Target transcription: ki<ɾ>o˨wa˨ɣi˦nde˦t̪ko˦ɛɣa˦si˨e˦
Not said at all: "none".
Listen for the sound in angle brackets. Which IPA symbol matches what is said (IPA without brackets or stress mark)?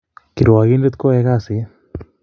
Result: ɾ